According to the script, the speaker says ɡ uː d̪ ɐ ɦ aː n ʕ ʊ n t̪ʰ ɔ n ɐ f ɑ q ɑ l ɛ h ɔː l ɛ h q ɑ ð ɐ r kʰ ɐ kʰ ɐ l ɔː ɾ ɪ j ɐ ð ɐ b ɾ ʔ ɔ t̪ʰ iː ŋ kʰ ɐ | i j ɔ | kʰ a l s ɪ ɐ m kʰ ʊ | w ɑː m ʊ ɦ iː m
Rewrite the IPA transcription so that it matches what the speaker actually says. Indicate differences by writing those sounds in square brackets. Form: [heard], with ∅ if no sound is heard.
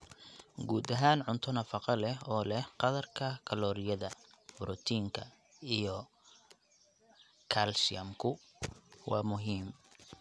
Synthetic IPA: ɡ uː d̪ ɐ ɦ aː n ʕ ʊ n t̪ʰ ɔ n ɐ f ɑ q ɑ l ɛ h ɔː l ɛ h q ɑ ð ɐ r kʰ ɐ kʰ ɐ l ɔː ɾ ɪ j ɐ ð ɐ b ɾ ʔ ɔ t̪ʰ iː ŋ kʰ ɐ | i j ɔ | kʰ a l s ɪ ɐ m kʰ ʊ | w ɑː m ʊ ɦ iː m